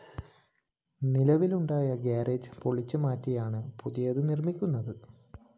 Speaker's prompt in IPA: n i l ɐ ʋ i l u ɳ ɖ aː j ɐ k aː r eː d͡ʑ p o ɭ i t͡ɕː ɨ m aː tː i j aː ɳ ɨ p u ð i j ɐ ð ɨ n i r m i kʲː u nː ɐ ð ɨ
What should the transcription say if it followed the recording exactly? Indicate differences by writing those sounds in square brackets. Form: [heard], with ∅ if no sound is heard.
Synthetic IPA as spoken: n i l ɐ ʋ i l u ɳ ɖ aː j ɐ [ɡ] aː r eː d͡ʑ p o ɭ i t͡ɕː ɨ m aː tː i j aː ɳ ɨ p u ð i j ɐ ð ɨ n i r m i kʲː u nː ɐ ð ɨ